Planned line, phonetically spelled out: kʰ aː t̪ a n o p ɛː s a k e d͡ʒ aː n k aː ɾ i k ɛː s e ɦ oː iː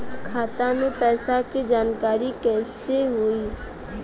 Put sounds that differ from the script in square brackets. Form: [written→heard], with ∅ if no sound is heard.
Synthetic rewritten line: kʰ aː t̪ a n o p ɛː s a k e d͡ʒ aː n k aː ɾ i k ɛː s e ɦ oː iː